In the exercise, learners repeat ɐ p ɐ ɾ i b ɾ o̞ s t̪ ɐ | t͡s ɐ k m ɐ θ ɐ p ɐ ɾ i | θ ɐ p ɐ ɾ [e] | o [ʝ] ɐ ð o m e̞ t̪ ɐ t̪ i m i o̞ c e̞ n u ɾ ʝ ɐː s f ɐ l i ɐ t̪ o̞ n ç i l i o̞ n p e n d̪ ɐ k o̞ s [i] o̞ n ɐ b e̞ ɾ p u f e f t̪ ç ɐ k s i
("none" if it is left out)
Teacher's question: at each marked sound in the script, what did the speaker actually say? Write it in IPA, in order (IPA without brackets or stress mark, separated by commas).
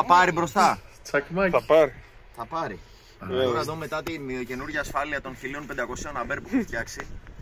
i, none, i